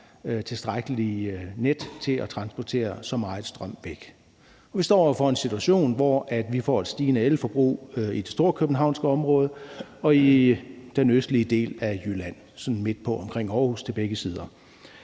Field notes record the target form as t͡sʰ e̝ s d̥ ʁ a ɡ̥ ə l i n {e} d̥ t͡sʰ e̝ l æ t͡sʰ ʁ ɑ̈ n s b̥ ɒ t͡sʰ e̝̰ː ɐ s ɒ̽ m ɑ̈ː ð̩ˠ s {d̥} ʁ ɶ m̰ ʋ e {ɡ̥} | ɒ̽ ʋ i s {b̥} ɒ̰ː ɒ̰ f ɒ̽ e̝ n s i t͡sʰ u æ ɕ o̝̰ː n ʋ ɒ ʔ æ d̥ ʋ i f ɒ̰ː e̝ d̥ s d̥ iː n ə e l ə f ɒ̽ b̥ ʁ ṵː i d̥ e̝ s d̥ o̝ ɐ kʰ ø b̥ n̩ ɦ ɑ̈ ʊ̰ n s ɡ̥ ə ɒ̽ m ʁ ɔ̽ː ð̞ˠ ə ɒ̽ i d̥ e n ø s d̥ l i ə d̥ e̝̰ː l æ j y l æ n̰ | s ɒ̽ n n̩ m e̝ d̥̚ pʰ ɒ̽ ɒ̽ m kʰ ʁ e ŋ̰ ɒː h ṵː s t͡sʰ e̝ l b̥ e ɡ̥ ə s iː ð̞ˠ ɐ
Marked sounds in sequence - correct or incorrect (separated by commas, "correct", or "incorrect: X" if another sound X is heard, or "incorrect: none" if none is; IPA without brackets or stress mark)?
correct, correct, correct, incorrect: d̥